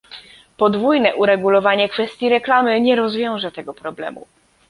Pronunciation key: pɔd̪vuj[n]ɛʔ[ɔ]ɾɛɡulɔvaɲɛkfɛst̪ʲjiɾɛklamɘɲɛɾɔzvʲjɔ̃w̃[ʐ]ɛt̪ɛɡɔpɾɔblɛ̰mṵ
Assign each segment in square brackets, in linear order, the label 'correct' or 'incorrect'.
correct, incorrect: u, correct

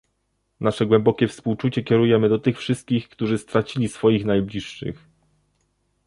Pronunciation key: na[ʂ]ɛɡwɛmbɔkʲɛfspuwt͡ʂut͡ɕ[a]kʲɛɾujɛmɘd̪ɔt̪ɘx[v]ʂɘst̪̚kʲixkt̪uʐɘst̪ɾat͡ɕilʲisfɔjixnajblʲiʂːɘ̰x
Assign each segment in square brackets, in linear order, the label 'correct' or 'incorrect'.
correct, incorrect: ɛ, incorrect: f

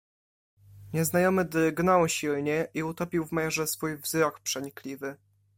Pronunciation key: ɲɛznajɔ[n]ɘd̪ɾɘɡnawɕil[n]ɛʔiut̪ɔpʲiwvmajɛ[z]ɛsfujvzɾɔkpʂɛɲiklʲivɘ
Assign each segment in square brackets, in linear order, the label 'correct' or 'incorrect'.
incorrect: m, incorrect: ɲ, incorrect: ʐ

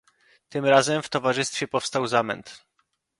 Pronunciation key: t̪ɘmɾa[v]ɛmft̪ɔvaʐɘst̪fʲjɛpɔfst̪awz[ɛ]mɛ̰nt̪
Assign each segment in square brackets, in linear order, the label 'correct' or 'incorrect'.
incorrect: z, incorrect: a

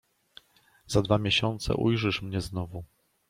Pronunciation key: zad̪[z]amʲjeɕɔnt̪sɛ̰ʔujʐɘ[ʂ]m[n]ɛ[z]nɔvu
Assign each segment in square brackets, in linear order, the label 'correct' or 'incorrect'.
incorrect: v, correct, incorrect: ɲ, correct

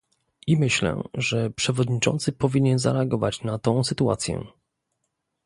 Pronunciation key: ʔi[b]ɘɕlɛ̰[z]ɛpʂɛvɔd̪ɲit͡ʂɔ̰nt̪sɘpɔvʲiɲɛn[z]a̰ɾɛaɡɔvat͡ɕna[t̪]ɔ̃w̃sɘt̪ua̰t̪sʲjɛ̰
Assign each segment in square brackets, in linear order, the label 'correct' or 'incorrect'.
incorrect: m, incorrect: ʐ, correct, correct

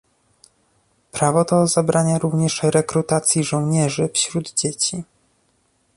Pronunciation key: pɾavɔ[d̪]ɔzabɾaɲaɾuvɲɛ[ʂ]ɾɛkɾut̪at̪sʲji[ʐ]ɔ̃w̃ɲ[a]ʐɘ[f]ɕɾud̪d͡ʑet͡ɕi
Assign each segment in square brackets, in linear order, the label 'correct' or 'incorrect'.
incorrect: t̪, correct, correct, incorrect: ɛ, correct

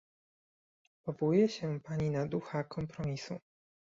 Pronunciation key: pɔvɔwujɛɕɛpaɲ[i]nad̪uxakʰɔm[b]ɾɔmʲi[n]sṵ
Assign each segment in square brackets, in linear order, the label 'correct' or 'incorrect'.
correct, incorrect: p, incorrect: none

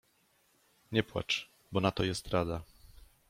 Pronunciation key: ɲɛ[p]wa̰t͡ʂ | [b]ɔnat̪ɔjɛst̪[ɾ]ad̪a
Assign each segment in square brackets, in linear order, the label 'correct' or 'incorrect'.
correct, correct, correct

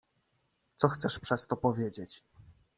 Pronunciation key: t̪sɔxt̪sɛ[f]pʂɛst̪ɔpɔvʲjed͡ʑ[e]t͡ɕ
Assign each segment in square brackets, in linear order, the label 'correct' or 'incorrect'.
incorrect: ʂ, correct

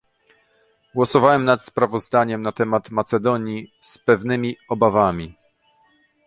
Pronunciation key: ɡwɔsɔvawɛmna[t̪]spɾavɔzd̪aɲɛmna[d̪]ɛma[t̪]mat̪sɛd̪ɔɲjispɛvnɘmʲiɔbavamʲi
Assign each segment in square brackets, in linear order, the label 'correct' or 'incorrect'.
correct, incorrect: t̪, correct

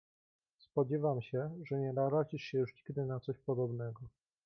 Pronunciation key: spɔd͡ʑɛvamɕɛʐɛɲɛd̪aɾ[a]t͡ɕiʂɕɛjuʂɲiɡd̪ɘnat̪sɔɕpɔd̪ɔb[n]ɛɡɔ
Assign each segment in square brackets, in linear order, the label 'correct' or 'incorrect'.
correct, correct

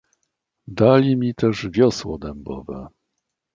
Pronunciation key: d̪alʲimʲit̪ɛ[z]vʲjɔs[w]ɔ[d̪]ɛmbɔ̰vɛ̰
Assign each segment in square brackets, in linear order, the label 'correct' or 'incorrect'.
incorrect: ʐ, correct, correct

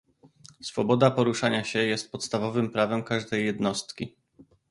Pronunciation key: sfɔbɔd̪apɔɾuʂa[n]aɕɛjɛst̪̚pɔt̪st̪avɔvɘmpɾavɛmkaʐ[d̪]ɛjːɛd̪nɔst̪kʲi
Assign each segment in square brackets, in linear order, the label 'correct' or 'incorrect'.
incorrect: ɲ, correct

